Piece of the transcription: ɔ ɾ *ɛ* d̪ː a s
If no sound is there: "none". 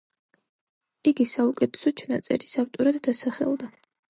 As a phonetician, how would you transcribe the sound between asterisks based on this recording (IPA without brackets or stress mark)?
a